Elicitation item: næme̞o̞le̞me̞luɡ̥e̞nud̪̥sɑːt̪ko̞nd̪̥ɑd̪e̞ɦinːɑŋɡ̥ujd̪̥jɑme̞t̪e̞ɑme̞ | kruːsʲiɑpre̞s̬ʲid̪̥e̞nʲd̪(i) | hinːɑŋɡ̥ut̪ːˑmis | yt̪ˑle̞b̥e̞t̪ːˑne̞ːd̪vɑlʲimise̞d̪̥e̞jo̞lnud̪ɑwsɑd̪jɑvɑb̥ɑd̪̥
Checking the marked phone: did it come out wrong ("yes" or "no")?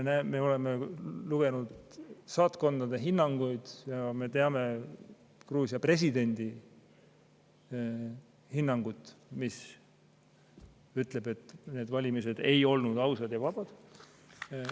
no